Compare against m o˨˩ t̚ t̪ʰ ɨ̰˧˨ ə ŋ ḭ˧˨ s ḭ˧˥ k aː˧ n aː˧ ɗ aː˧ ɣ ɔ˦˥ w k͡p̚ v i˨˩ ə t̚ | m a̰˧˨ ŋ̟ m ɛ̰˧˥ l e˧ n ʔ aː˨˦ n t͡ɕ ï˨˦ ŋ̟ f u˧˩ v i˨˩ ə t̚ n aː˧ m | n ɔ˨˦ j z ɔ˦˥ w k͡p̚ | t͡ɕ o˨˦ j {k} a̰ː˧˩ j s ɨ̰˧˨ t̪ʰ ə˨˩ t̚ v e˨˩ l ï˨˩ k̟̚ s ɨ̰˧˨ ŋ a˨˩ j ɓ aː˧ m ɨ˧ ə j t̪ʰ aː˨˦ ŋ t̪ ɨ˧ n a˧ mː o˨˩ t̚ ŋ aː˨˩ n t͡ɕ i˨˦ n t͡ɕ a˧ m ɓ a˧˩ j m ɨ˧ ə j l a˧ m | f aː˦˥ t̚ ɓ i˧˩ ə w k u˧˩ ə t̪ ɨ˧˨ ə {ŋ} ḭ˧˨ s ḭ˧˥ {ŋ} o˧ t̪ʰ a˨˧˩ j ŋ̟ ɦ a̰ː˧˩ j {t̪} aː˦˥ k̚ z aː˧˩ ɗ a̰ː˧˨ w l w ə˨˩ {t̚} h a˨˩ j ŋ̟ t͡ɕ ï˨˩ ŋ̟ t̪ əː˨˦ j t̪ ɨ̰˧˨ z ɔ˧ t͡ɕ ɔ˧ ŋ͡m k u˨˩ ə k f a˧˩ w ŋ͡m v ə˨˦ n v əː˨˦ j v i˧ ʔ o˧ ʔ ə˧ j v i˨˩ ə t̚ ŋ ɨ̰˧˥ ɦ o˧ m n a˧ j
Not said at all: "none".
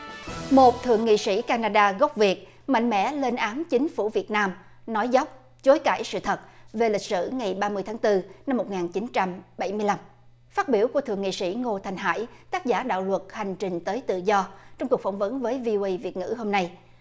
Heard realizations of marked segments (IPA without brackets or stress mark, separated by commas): k, ŋ, ŋ, t̪, t̚